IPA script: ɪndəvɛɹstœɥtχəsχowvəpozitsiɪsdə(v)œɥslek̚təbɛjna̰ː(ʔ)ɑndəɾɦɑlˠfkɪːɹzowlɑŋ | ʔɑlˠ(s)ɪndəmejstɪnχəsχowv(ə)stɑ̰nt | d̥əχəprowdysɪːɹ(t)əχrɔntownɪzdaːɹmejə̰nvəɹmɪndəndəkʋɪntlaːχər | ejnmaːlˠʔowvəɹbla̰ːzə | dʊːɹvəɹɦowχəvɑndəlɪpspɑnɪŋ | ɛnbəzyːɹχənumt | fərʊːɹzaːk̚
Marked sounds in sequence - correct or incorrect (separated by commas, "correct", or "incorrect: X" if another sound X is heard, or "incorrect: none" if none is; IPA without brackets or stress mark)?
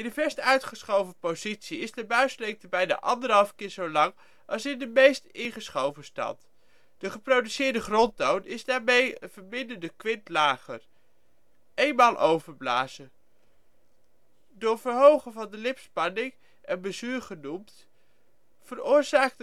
incorrect: b, correct, correct, correct, incorrect: d